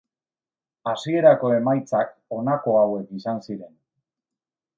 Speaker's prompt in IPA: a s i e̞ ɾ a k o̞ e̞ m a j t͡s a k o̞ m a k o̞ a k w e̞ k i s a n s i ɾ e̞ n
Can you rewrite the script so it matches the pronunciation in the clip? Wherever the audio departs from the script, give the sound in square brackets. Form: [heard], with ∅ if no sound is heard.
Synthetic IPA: a s i e̞ ɾ a k o̞ e̞ m a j t͡s a k o̞ [n] a k o̞ a [∅] w e̞ k i s a n s i ɾ e̞ n